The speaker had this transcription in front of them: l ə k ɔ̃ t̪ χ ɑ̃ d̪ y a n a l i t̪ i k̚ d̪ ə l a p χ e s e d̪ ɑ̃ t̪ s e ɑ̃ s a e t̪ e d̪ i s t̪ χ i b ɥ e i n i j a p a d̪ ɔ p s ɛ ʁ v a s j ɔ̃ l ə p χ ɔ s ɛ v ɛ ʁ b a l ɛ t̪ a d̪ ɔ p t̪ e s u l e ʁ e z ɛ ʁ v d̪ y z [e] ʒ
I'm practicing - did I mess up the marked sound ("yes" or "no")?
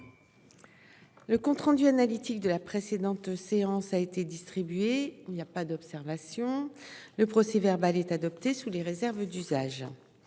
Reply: yes